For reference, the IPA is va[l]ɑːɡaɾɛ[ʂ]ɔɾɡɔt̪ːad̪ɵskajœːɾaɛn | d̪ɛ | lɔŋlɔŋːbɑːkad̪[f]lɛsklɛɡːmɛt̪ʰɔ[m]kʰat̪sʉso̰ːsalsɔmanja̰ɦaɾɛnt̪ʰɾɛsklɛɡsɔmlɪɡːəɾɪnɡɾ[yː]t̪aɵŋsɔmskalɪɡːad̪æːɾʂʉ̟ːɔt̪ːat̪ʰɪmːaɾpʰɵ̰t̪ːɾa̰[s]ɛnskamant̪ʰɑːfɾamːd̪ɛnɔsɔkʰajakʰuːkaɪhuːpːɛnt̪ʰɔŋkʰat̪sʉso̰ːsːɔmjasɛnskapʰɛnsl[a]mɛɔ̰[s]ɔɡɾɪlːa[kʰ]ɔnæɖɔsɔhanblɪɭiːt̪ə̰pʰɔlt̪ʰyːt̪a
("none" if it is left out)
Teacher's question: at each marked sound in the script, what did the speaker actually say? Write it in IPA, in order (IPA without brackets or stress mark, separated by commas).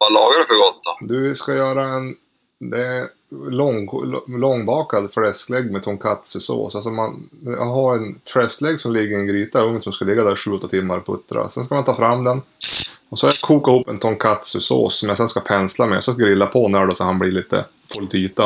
l, f, f, ŋ, iː, s, a, s, pʰ